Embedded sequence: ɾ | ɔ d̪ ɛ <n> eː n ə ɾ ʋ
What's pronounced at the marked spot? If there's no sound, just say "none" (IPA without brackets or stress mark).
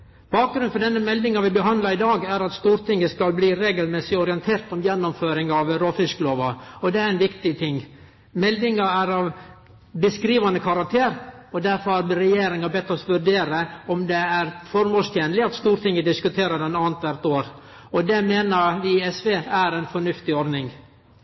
m